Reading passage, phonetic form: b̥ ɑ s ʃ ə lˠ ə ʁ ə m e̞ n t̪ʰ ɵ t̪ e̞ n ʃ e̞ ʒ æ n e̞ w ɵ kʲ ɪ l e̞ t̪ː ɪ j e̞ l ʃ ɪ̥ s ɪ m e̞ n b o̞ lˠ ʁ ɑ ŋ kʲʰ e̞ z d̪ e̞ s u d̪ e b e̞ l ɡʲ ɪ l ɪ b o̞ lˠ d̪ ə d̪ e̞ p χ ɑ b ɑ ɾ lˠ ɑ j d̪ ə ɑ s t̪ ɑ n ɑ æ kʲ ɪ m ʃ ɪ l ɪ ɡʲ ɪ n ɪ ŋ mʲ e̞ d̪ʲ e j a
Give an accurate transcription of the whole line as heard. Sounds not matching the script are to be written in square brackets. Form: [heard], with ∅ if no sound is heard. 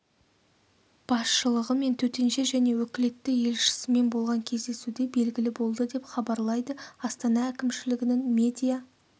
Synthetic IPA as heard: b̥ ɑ s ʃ ə lˠ ə ʁ ə m e̞ n t̪ʰ ɵ t̪ e̞ n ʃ e̞ ʒ æ n e̞ w ɵ kʲ ɪ l e̞ t̪ː ɪ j e̞ l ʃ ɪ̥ s ɪ m e̞ n b o̞ lˠ ʁ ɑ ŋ kʲʰ e̞ z d̪ e̞ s u d̪ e b e̞ l ɡʲ ɪ l ɪ b o̞ lˠ d̪ ə d̪ e̞ p χ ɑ b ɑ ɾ lˠ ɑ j d̪ ə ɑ s t̪ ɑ n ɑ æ kʲ ɪ m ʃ ɪ l ɪ ɡʲ ɪ n ɪ ŋ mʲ e̞ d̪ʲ [i] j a

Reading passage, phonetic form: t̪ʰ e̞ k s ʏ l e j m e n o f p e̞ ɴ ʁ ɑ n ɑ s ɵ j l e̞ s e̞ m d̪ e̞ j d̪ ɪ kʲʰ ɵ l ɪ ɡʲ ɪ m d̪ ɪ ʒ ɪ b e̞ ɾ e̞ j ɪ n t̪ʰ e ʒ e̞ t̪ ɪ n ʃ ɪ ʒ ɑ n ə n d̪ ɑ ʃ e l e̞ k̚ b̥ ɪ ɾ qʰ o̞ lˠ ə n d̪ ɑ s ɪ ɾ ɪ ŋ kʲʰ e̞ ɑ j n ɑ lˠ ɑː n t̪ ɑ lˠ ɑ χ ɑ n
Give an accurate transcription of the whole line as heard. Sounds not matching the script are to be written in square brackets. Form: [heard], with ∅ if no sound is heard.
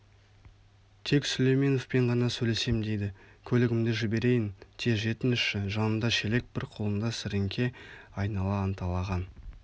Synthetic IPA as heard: t̪ʰ e̞ k s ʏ l e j m e n o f p e̞ ɴ ʁ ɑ n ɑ s ɵ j l e̞ s e̞ m d̪ e̞ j d̪ ɪ kʲʰ ɵ l ɪ ɡʲ ɪ m d̪ ɪ ʒ ɪ b e̞ ɾ e̞ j ɪ n t̪ʰ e ʒ e̞ t̪ ɪ n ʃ ɪ ʒ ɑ n ə n d̪ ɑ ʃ e l e̞ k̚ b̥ ɪ ɾ qʰ o̞ lˠ ə n d̪ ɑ s ɪ ɾ ɪ ŋ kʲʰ e̞ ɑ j n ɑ lˠ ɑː n t̪ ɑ lˠ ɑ [ʁ] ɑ n

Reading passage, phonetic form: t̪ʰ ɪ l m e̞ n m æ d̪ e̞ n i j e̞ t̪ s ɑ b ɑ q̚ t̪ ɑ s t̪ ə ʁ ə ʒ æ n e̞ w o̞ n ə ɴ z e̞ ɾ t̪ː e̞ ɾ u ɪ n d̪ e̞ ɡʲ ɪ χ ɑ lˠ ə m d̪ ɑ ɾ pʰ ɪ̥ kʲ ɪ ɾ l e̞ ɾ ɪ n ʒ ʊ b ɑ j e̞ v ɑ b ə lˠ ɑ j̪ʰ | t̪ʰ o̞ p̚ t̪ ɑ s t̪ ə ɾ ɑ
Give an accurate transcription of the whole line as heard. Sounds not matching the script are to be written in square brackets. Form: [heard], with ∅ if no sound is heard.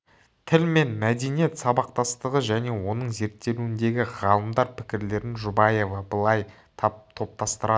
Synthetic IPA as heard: t̪ʰ ɪ l m e̞ n m æ d̪ e̞ n i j e̞ t̪ s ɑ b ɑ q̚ t̪ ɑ s t̪ ə ʁ ə ʒ æ n e̞ w o̞ n ə ɴ z e̞ ɾ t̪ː e̞ [l] u ɪ n d̪ e̞ ɡʲ ɪ [ʁ] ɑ lˠ ə m d̪ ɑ ɾ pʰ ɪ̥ kʲ ɪ ɾ l e̞ ɾ ɪ n ʒ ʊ b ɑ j e̞ v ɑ b ə lˠ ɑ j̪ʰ | t̪ʰ o̞ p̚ t̪ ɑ s t̪ ə ɾ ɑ

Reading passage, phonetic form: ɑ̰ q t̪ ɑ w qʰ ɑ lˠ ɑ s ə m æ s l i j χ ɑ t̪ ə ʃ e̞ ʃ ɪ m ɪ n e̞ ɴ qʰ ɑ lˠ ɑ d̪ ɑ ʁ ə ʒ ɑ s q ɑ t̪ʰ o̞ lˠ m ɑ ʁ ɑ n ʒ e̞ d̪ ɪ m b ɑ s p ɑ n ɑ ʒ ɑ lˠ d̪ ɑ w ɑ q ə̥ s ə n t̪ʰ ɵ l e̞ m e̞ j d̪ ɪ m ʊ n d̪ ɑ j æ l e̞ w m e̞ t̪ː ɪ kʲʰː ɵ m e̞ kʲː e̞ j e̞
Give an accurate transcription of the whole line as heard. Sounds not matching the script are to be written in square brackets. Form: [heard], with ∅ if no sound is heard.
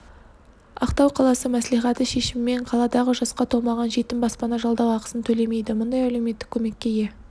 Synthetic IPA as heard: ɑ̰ q t̪ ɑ w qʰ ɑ lˠ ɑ s ə m æ s l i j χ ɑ t̪ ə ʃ e̞ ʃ ɪ m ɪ [m] e̞ ɴ qʰ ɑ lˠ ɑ d̪ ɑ ʁ ə ʒ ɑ s q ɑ t̪ʰ o̞ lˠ m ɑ ʁ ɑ n ʒ e̞ [t̪] ɪ m b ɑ s p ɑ n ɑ ʒ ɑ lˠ d̪ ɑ w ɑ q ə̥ s ə n t̪ʰ ɵ l e̞ m e̞ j d̪ ɪ m ʊ n d̪ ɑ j æ l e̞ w m e̞ t̪ː ɪ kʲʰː ɵ m e̞ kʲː e̞ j e̞

